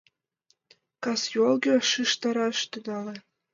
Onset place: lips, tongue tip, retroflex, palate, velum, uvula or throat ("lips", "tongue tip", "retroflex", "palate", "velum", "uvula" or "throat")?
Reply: velum